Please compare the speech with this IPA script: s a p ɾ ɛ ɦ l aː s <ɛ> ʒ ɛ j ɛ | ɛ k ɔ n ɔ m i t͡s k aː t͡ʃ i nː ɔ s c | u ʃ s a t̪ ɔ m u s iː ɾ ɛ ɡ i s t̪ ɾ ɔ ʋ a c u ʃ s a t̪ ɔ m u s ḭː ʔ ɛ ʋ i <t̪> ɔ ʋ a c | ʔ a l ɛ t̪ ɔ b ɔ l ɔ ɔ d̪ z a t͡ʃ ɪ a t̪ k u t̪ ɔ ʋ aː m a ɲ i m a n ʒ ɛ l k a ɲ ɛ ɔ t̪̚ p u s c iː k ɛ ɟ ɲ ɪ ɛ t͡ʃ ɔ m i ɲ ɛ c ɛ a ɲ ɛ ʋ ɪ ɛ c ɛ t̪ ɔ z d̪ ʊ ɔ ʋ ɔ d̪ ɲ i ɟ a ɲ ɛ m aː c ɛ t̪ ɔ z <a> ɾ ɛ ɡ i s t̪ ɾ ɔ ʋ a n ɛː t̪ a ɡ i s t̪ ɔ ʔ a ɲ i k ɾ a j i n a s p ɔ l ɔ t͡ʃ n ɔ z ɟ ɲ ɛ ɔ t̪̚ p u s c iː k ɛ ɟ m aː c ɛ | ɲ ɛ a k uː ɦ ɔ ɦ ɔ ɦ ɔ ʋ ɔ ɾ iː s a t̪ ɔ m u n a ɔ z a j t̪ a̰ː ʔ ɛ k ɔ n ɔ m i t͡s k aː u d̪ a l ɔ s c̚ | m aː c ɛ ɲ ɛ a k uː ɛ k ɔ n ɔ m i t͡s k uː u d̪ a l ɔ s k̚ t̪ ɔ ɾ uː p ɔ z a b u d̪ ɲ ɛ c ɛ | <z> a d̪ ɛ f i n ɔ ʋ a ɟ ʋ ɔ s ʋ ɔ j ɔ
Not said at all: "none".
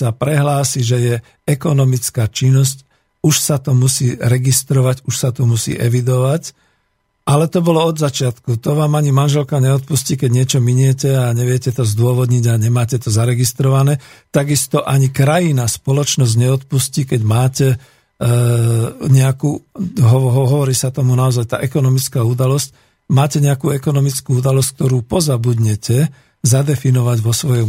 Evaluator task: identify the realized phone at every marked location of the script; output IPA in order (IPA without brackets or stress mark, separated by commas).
i, d̪, a, z